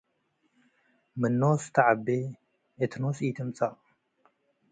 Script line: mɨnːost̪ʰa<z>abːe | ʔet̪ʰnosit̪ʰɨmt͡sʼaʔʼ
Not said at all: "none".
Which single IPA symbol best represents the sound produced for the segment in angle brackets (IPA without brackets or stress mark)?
ʕ